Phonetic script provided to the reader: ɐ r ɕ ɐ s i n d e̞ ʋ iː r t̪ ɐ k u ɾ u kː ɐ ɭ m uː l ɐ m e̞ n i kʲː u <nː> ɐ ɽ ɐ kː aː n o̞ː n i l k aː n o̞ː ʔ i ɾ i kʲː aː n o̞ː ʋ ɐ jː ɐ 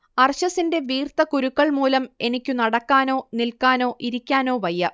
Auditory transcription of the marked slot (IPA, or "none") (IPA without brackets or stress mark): n